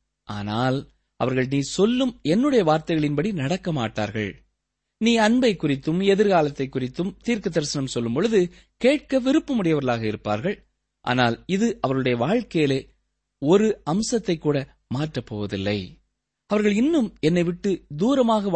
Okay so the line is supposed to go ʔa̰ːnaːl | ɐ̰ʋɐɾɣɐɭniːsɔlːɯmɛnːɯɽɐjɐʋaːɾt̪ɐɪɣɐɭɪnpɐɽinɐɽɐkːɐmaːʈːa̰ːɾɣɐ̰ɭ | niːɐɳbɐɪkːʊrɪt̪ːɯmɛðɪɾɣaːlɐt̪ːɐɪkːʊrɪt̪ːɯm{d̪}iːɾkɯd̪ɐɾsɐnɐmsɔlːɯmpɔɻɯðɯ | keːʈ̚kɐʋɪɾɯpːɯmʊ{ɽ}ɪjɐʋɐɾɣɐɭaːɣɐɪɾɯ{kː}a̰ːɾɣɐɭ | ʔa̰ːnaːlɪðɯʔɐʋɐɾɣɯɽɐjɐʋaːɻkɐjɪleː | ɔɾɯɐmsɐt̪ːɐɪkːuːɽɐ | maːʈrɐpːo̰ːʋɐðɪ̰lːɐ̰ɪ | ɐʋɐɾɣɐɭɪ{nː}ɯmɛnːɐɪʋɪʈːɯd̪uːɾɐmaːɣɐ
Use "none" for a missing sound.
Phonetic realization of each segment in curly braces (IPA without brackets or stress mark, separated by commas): t̪, ɽ, pː, nː